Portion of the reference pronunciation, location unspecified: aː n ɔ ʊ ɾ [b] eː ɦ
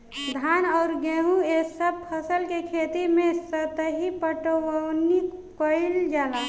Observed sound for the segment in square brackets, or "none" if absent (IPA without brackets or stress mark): ɡ